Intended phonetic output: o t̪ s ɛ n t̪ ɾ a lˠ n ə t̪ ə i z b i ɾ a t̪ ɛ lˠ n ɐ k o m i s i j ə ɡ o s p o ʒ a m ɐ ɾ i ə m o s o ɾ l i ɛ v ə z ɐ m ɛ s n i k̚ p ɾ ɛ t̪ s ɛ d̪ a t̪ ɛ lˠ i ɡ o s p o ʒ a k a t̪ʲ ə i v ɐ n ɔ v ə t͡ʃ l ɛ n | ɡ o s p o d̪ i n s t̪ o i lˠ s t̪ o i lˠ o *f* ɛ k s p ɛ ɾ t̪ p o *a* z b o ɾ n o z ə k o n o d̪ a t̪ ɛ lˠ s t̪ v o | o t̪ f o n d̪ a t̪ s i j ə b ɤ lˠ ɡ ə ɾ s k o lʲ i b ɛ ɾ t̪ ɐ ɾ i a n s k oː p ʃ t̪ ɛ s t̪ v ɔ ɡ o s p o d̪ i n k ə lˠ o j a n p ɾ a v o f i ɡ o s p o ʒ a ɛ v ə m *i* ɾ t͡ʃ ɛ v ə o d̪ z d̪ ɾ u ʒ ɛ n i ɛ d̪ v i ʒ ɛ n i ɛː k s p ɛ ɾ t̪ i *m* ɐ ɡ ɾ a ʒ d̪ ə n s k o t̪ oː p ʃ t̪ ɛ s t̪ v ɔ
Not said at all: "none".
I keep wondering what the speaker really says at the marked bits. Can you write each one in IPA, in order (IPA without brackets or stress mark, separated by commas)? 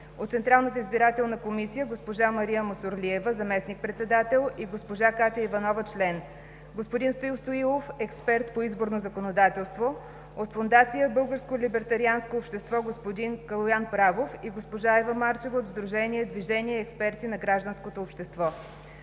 f, i, a, n